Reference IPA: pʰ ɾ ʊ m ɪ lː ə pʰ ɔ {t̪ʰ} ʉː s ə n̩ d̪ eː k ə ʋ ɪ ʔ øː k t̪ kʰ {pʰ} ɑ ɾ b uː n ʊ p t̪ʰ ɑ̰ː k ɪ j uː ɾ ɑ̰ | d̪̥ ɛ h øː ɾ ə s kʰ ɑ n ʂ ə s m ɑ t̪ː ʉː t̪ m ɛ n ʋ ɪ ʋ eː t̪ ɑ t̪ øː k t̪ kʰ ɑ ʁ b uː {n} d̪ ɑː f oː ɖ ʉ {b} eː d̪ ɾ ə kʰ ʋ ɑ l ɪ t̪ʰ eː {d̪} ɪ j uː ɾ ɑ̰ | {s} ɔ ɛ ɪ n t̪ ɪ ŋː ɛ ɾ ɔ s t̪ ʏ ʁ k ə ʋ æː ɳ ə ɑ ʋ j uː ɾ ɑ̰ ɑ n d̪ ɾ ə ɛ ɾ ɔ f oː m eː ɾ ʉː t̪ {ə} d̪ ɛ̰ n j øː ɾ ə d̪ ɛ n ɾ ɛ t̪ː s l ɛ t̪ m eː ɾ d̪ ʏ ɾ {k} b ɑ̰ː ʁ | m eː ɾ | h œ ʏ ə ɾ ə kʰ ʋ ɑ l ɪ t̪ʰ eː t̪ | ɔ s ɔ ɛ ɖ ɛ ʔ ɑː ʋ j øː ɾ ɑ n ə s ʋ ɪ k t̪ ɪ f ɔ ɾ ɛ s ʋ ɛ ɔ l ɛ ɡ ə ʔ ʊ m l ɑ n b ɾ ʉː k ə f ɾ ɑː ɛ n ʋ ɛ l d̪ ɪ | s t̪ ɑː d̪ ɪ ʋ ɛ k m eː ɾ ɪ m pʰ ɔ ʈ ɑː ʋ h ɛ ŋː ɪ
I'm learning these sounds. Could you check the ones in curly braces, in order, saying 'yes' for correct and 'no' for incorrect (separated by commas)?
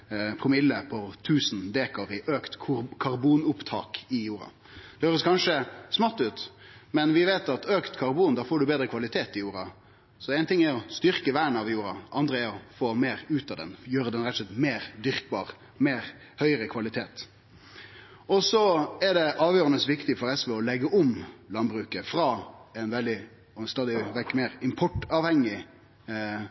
yes, no, yes, yes, no, yes, no, yes